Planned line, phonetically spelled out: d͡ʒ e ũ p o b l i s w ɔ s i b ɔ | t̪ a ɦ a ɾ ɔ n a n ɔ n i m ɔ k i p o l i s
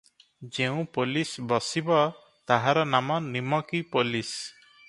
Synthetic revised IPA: d͡ʒ e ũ p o l i s b ɔ s i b ɔ | t̪ a ɦ a ɾ ɔ n a m ɔ n i m ɔ k i p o l i s